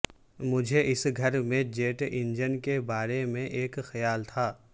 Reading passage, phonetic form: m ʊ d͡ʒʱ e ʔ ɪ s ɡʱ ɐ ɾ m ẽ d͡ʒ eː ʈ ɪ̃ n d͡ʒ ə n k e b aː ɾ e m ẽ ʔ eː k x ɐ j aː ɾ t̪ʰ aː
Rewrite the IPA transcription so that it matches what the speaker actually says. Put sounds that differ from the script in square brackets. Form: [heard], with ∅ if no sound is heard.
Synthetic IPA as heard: m ʊ d͡ʒʱ e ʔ ɪ s ɡʱ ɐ ɾ m ẽ d͡ʒ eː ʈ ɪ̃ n d͡ʒ ə n k e b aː ɾ e m ẽ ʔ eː k x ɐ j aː [l] t̪ʰ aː